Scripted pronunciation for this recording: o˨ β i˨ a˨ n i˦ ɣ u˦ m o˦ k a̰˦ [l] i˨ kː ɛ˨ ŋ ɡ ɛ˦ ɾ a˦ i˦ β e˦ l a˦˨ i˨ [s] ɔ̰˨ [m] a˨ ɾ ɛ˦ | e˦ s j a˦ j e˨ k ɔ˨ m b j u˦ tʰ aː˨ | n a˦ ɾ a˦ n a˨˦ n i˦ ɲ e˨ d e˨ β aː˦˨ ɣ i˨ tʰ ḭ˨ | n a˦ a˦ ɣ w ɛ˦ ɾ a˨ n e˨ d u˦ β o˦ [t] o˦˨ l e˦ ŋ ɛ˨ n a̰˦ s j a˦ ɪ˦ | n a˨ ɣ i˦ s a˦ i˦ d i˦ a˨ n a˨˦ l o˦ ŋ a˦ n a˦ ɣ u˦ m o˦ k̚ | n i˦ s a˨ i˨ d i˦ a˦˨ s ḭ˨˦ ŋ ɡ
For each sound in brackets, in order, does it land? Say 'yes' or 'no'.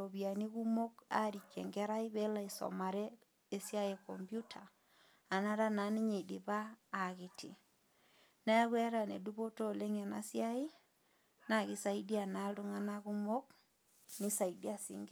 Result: no, yes, yes, yes

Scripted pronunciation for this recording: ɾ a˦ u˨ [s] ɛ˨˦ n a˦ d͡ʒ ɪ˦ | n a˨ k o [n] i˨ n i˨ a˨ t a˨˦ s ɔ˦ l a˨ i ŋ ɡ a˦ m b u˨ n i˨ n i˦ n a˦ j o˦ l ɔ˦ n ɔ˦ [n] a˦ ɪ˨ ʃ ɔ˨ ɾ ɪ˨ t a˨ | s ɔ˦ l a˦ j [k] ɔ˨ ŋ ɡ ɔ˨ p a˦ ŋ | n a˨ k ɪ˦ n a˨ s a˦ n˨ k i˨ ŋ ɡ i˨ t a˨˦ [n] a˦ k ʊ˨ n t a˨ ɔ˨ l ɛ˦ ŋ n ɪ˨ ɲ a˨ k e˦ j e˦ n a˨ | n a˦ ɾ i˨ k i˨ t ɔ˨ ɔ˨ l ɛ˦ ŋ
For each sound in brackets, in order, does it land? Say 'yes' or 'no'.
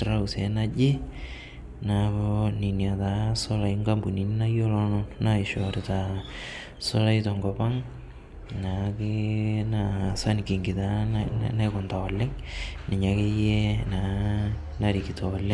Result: yes, yes, yes, no, yes

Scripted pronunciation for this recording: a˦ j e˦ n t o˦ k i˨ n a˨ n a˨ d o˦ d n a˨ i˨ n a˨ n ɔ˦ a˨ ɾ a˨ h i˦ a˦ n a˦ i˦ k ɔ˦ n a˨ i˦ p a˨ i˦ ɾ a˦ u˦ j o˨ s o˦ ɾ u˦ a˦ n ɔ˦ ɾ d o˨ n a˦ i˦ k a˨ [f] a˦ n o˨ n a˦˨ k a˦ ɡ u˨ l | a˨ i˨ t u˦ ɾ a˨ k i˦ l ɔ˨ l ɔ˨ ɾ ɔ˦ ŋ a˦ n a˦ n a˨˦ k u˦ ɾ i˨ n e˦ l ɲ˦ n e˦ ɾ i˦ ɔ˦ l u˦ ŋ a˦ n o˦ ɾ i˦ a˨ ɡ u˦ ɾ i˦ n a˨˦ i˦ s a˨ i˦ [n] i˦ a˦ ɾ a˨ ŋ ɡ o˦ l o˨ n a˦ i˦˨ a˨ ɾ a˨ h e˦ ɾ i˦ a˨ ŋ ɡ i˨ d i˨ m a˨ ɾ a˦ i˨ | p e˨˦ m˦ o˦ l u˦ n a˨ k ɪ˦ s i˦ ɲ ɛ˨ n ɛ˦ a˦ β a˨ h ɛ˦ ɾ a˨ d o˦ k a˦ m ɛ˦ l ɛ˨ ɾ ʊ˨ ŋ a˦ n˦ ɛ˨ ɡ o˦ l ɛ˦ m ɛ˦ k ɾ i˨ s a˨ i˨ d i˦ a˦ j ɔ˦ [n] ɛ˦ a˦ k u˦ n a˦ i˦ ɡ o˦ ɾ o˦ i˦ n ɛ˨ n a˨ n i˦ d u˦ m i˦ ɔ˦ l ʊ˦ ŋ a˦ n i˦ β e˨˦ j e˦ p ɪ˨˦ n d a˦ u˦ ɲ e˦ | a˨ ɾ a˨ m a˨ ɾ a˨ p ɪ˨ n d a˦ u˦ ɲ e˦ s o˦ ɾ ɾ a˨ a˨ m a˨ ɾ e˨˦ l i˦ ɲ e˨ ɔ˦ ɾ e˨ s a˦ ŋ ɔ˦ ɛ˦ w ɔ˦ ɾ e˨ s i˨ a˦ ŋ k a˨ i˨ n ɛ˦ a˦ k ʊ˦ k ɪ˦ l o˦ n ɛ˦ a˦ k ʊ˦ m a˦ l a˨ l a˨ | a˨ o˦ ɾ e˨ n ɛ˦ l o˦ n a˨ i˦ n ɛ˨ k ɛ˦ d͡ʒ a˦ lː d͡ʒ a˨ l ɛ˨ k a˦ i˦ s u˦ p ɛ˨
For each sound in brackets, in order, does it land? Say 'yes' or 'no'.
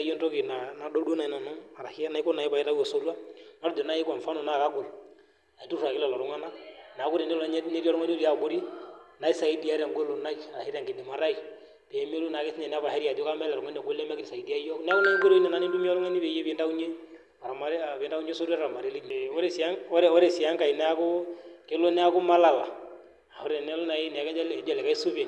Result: yes, no, yes

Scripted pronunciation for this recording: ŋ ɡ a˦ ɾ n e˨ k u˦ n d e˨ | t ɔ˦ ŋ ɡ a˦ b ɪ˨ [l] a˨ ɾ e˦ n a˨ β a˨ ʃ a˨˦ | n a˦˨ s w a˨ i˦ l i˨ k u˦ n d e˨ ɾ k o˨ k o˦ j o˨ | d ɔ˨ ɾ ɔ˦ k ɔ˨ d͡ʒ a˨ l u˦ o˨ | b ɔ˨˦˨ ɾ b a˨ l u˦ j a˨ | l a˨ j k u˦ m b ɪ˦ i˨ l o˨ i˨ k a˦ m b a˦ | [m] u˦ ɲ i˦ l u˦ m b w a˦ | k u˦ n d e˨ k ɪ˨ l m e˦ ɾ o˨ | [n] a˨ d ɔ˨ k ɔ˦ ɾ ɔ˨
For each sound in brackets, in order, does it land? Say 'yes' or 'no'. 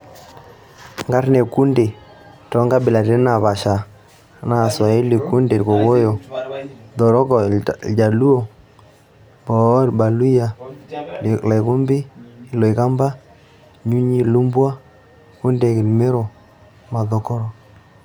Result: yes, no, no

